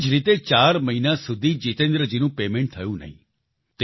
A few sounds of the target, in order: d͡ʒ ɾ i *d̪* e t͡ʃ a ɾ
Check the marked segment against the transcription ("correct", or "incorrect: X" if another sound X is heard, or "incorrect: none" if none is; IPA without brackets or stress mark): incorrect: t̪